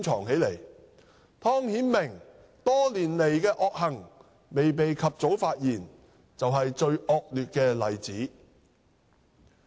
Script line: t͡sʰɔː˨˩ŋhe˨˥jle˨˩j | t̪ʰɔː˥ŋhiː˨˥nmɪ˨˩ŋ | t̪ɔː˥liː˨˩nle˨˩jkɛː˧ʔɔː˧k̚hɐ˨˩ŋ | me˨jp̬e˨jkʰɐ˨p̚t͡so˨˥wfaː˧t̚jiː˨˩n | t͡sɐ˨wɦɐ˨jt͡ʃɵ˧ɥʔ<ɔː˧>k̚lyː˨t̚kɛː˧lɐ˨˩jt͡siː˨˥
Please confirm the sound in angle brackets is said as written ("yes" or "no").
yes